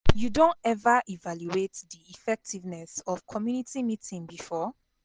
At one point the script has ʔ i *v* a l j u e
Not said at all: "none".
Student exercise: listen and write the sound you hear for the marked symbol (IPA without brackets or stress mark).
v